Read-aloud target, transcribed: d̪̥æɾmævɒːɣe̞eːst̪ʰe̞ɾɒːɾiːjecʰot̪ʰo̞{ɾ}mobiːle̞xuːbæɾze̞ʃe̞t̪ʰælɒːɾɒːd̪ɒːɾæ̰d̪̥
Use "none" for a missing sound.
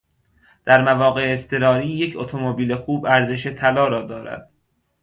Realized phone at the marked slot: none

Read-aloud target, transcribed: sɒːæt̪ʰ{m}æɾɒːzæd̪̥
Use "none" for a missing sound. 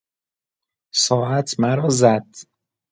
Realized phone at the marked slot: m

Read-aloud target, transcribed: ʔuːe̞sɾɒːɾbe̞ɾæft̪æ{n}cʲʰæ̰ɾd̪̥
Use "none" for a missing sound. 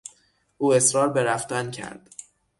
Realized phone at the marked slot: n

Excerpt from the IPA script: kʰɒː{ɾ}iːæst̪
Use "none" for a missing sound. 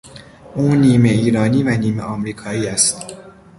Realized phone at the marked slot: none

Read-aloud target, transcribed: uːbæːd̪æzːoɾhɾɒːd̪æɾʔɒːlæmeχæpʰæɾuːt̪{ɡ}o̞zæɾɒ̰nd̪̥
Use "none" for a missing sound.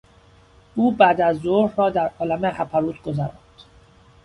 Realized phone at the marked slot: ɡ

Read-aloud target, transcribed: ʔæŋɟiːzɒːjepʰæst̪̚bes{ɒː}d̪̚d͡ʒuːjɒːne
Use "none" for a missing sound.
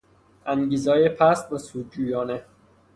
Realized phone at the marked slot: uː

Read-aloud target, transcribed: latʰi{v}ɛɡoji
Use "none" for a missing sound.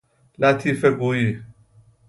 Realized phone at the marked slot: f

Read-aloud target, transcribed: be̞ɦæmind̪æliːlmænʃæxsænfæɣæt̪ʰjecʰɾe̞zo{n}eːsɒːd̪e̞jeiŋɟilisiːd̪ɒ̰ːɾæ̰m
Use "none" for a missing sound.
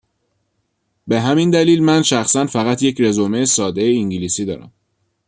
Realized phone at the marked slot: m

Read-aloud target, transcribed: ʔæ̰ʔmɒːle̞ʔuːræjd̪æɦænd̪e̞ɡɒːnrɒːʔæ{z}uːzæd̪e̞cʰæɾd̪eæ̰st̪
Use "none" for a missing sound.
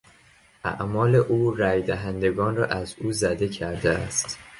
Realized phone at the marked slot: z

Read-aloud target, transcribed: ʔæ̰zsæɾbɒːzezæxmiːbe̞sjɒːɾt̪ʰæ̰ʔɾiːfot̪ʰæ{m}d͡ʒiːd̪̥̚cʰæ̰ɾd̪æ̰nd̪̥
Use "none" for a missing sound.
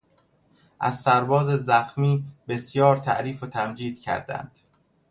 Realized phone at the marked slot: m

